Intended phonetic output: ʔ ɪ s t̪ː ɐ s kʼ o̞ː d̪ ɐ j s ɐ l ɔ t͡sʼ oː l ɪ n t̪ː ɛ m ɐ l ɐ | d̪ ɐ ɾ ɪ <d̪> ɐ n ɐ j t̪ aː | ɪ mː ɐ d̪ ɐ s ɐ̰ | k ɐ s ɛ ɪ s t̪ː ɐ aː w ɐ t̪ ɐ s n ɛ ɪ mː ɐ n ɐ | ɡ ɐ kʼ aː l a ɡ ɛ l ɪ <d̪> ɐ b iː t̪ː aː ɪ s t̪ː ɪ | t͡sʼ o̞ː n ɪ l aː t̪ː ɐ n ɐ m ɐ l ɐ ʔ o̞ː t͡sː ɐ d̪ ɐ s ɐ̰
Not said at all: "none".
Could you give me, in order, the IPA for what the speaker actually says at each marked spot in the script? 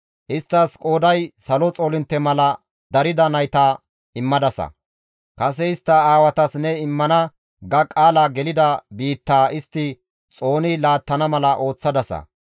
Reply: d̪, d̪

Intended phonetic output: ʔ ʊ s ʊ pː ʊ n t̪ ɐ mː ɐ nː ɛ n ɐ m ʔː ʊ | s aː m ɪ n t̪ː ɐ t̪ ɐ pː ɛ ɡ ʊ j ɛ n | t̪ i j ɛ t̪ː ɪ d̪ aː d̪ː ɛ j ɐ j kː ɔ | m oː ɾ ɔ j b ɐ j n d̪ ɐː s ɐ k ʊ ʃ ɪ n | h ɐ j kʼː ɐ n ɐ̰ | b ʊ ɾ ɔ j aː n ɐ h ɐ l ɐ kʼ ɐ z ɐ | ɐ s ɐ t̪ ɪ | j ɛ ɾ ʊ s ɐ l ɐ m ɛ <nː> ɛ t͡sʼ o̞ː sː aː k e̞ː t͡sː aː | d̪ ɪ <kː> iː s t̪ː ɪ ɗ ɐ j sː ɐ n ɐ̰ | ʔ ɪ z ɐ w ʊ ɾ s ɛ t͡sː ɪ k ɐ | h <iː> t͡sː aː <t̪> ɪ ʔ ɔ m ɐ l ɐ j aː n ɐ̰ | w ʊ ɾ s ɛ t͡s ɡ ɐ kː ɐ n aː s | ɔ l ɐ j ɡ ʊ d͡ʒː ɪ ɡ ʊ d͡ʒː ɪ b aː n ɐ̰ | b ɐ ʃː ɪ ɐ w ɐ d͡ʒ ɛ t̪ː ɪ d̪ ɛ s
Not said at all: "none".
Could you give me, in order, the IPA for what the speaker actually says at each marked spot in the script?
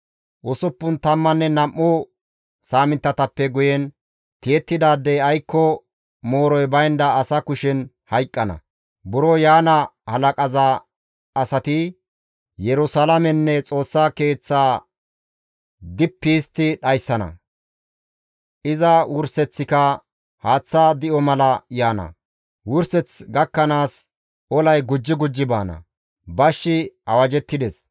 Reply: nː, pː, aː, d̪

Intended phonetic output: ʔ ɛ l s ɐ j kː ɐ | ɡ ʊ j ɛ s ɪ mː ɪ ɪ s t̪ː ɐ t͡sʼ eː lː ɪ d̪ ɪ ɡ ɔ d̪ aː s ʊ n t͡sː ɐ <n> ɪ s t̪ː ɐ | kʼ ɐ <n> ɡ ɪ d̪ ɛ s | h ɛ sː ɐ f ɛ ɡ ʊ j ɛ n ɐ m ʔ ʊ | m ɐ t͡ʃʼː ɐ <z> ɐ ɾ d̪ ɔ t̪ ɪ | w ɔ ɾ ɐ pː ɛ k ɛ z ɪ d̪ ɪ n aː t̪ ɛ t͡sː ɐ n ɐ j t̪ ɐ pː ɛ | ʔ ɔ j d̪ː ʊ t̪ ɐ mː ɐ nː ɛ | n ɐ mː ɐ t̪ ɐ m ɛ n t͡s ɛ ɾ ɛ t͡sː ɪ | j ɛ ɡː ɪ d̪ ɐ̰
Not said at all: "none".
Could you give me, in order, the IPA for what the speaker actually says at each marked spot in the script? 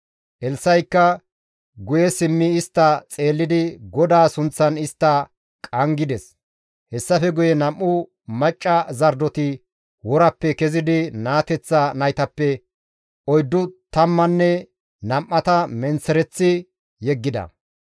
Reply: n, ŋ, z

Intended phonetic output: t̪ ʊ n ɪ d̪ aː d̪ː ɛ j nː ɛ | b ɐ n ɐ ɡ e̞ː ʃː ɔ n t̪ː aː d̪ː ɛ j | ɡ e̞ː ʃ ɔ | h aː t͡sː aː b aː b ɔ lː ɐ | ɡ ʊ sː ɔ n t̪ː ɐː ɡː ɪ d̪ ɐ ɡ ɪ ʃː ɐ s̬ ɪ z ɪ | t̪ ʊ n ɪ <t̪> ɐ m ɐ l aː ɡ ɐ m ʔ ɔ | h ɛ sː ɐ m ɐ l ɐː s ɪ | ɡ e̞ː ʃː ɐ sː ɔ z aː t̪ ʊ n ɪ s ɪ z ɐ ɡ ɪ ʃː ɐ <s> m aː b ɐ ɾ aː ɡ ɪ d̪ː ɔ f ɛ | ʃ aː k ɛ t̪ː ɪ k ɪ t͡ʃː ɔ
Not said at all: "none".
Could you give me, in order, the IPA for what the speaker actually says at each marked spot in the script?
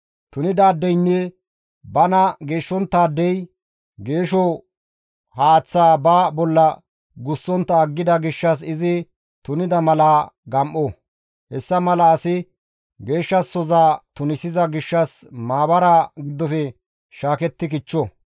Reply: d̪, s

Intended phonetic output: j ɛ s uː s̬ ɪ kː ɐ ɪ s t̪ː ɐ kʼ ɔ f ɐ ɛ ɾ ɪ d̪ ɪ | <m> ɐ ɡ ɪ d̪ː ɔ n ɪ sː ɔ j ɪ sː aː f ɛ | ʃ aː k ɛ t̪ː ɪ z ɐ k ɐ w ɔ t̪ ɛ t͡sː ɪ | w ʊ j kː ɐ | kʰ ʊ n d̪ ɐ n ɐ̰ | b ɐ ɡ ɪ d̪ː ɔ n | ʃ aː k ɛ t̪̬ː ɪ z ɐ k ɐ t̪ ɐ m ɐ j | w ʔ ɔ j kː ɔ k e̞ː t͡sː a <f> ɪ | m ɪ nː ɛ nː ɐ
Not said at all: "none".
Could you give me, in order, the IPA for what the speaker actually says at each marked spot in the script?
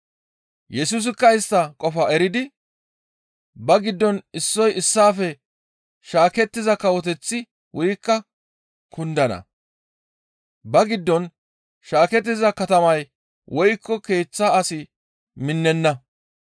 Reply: b, s

